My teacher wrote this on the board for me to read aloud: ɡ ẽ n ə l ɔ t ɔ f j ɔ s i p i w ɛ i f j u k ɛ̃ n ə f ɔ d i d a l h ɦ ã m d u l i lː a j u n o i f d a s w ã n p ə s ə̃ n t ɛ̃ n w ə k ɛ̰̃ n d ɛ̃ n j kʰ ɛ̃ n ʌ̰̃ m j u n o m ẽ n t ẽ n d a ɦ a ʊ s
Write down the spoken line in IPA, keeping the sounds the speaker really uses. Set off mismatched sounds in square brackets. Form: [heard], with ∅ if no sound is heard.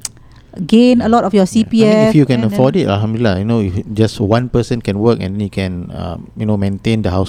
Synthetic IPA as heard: ɡ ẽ n ə l ɔ t ɔ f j ɔ s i p i [∅] ɛ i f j u k ɛ̃ n ə f ɔ d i [t] a l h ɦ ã m d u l i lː a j u n o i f [d͡ʒ] a s w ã n p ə s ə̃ n [k] ɛ̃ n w ə k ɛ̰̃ n d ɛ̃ n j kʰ ɛ̃ n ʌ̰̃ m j u n o m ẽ n t ẽ n d [ə] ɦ a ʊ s